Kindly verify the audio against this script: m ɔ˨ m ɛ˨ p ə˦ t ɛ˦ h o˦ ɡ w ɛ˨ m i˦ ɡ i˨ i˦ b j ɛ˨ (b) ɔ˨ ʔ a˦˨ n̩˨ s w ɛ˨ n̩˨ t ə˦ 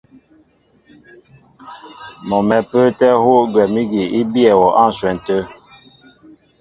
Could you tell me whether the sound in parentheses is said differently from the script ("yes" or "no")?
yes